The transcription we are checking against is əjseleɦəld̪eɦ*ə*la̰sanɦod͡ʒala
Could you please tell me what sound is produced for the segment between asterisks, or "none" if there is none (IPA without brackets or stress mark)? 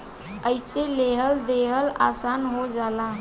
ə